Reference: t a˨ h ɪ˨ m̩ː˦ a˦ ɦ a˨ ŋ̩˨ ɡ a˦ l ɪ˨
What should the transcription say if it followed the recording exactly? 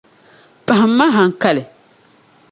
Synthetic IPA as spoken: p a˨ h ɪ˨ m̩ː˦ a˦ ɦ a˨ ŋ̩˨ k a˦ l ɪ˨